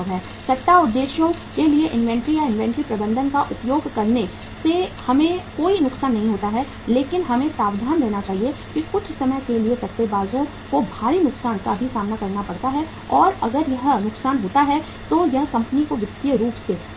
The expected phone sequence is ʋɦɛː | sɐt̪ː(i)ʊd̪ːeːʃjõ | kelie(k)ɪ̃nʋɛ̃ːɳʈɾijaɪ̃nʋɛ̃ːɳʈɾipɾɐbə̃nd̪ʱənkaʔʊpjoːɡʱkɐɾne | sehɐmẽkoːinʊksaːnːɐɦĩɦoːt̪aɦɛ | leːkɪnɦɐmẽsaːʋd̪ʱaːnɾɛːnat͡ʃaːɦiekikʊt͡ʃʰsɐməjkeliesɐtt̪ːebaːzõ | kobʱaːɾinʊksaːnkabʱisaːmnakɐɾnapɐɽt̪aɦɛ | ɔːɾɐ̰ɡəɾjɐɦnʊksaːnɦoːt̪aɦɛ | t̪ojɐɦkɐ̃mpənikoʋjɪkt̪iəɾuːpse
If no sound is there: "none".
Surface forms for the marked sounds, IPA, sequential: a, ʔ

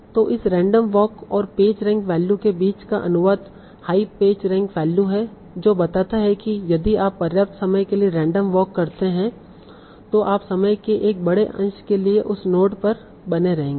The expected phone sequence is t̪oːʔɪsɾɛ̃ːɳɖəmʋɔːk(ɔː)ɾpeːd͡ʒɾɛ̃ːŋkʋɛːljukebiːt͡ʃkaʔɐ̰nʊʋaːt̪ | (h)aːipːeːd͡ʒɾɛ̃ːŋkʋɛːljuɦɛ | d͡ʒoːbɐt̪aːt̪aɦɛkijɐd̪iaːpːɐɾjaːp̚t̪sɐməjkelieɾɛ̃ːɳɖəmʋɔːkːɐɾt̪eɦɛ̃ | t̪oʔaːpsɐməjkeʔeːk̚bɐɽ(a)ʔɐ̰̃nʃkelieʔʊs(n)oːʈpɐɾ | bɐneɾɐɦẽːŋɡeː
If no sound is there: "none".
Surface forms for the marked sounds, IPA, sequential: ɔː, h, e, n

